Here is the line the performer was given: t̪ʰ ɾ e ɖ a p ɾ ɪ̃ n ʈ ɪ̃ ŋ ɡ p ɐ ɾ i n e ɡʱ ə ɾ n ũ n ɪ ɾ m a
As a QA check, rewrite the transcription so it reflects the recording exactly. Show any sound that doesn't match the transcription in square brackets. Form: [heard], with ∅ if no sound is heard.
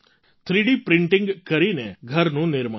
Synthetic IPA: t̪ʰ ɾ [i] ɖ [i] p ɾ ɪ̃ [ɳ] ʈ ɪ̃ ŋ ɡ [k] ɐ ɾ i n e ɡʱ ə ɾ n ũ n ɪ ɾ m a